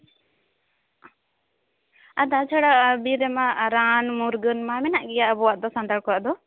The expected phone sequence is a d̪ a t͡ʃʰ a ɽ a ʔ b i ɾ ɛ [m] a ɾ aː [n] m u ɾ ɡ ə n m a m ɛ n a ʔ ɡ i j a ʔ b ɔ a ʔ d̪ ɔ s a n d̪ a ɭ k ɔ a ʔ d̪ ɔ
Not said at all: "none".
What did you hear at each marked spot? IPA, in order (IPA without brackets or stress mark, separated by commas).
m, n